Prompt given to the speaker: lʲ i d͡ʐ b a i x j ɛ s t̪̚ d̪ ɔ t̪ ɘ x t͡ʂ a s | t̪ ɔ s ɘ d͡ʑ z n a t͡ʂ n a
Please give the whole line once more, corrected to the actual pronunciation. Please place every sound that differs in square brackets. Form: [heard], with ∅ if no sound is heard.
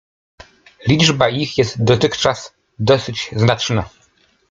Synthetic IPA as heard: lʲ i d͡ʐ b a i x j ɛ s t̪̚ d̪ ɔ t̪ ɘ x t͡ʂ a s | [d̪] ɔ s ɘ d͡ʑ z n a t͡ʂ n a